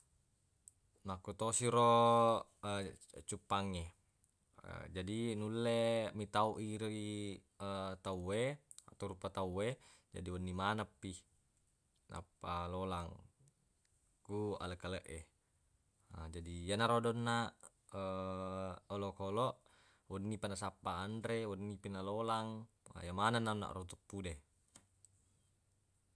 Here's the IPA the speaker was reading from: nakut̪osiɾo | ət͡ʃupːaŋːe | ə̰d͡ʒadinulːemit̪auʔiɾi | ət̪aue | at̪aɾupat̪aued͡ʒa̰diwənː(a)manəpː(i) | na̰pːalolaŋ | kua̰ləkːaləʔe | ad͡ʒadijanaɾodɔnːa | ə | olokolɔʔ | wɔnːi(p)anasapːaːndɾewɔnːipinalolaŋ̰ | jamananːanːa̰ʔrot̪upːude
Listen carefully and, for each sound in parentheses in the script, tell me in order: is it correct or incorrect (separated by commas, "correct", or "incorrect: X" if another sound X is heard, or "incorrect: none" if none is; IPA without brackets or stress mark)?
incorrect: i, correct, correct